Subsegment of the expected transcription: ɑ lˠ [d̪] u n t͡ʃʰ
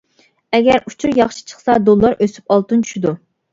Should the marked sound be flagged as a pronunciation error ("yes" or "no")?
yes